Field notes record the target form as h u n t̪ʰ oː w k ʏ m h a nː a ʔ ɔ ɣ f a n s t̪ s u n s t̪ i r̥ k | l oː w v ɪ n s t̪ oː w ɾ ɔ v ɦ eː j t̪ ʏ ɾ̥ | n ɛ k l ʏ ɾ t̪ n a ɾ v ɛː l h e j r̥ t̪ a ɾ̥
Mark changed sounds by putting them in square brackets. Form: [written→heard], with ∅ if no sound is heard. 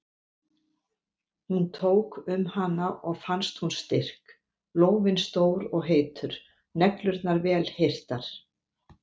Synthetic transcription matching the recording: h u n t̪ʰ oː w k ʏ m h a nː a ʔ ɔ ɣ f a n s t̪ [s→h] u n s t̪ [i→ɪ] r̥ k | l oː w v ɪ n s t̪ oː w ɾ ɔ [v→ɣ] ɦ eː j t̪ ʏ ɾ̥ | n ɛ k l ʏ ɾ t̪ n a ɾ v ɛː l h e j r̥ t̪ a ɾ̥